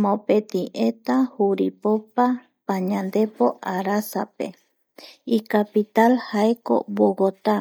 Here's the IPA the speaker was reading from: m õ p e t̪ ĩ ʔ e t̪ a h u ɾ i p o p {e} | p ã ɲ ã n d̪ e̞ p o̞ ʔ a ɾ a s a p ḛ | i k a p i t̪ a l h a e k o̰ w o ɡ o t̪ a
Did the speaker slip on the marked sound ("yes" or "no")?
yes